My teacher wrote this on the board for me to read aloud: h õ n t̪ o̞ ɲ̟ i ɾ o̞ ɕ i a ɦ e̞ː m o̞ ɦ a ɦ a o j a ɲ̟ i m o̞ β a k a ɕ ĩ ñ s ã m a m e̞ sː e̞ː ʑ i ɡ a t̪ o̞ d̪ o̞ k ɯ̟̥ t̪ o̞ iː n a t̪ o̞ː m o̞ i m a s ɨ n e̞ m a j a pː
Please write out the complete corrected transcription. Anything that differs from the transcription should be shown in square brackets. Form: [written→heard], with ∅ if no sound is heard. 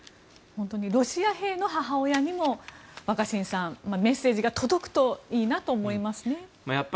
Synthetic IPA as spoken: h õ n t̪ o̞ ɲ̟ i ɾ o̞ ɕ i a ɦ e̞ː [m→n] o̞ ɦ a ɦ a o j a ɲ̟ i m o̞ β a k a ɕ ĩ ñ s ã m a m e̞ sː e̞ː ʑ i ɡ a t̪ o̞ d̪ o̞ k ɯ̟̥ t̪ o̞ iː n a t̪ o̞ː m o̞ i m a s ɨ n e̞ m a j a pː